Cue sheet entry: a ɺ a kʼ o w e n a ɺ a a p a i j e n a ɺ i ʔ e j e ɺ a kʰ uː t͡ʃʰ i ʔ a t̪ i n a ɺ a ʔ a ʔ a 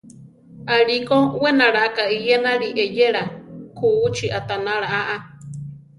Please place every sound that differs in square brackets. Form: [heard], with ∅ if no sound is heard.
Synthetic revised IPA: a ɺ [i] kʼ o w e n a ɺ a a [k] a i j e n a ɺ i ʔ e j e ɺ a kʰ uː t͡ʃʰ i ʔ a t̪ [a] n a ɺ a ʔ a ʔ a